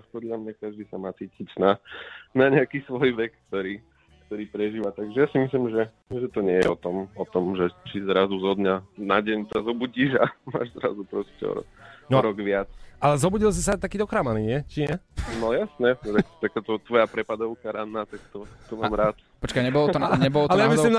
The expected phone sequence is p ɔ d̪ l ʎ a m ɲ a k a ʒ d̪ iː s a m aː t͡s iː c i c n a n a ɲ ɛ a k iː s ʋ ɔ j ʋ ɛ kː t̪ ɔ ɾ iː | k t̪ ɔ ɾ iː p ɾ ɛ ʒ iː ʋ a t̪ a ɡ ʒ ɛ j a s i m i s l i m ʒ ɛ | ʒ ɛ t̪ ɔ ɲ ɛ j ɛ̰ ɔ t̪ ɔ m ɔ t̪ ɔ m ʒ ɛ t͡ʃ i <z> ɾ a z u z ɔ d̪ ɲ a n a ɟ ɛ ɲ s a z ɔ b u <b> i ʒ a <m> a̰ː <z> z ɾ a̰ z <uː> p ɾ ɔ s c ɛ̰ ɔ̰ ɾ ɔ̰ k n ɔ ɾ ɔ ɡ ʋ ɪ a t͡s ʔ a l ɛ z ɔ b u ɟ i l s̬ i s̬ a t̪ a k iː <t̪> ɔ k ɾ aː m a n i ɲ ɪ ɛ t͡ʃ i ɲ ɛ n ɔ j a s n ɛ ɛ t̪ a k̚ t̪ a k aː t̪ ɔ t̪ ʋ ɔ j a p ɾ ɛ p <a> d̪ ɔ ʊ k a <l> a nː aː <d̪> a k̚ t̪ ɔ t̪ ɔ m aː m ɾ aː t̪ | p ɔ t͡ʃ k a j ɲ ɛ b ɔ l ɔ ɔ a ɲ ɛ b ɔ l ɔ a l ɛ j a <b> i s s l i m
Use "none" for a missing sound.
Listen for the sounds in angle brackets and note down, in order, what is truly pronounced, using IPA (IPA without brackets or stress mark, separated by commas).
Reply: z, ɟ, m, ʒ, u, d̪, a, ɾ, t̪, m